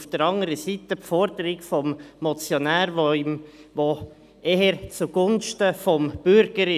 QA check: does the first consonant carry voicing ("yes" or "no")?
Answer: no